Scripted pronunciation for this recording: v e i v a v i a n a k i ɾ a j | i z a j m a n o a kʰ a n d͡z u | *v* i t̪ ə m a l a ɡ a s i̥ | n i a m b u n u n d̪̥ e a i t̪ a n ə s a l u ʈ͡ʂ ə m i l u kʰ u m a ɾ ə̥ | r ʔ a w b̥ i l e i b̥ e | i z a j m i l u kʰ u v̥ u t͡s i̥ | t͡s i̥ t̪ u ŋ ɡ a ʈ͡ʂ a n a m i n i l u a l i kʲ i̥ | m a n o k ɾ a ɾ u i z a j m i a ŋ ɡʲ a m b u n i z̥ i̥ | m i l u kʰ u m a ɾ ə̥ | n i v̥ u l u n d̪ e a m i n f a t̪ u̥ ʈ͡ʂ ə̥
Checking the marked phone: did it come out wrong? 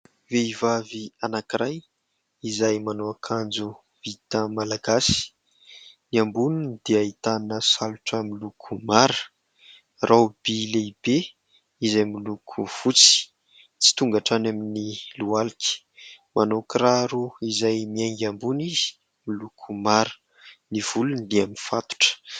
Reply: no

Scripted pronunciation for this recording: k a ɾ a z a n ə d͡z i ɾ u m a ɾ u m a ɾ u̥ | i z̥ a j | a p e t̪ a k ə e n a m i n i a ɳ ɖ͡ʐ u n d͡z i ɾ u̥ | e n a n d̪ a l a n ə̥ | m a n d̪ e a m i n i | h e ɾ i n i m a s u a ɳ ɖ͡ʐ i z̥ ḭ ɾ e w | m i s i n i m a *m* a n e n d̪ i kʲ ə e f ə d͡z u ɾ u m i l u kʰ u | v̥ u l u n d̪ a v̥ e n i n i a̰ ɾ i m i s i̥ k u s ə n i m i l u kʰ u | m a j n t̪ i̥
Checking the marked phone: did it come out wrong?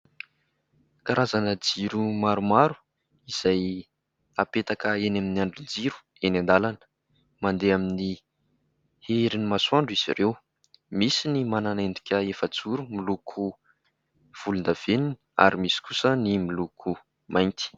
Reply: yes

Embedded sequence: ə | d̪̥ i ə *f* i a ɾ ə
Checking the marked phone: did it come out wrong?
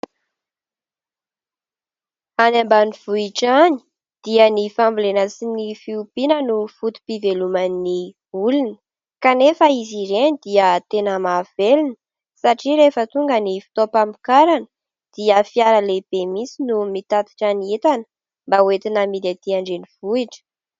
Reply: no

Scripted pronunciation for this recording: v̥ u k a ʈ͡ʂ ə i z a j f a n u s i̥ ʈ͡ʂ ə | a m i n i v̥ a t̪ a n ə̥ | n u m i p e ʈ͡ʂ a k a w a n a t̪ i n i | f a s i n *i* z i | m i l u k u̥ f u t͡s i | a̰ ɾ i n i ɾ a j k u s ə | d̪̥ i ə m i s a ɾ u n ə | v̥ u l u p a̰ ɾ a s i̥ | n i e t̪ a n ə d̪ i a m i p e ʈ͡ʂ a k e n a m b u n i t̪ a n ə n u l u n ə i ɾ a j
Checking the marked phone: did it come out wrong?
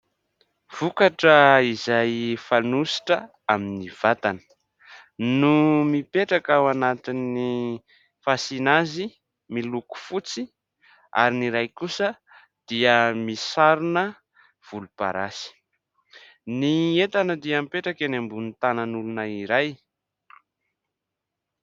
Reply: yes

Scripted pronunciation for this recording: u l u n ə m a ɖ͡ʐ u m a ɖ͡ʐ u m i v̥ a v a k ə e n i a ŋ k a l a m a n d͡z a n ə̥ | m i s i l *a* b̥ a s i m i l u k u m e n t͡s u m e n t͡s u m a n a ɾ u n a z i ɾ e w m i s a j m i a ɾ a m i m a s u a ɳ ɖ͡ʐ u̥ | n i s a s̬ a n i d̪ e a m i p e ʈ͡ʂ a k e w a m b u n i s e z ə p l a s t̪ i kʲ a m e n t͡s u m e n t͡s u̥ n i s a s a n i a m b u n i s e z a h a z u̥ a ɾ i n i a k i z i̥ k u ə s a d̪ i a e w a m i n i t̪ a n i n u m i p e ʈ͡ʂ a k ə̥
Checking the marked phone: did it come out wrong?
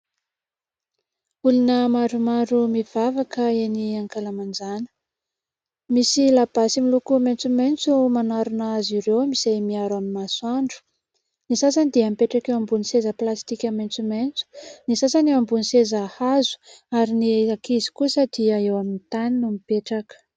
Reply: no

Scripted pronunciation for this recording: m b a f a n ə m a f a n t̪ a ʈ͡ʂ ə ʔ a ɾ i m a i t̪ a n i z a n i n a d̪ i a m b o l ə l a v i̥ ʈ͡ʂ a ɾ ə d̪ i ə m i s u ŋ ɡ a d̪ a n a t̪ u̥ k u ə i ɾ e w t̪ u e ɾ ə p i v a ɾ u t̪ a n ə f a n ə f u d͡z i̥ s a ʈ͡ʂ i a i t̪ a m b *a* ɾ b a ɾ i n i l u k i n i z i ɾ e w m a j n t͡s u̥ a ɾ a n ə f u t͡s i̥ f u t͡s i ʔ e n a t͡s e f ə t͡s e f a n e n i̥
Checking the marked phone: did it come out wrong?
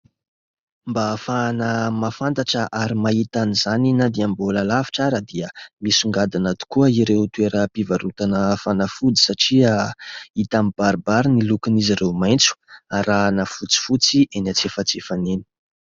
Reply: no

